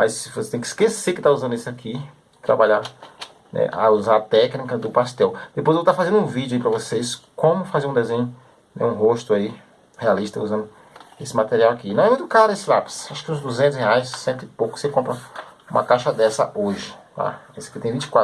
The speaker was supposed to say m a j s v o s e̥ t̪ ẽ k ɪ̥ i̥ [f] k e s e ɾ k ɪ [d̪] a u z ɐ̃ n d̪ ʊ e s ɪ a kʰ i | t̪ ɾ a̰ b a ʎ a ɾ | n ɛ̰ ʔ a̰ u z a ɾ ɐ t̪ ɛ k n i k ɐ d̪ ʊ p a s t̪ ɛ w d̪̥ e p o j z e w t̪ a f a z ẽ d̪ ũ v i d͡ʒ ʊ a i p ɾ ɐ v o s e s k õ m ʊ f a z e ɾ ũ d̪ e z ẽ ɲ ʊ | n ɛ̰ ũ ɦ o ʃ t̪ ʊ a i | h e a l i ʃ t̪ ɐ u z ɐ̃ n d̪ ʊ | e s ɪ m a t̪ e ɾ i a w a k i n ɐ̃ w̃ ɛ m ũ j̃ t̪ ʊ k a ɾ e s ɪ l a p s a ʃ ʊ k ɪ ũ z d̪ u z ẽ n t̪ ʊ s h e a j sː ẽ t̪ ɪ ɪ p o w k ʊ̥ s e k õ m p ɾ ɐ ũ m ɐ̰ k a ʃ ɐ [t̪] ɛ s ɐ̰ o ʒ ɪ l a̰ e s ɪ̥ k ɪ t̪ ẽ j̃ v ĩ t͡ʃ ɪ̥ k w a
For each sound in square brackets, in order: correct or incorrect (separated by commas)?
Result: incorrect, incorrect, incorrect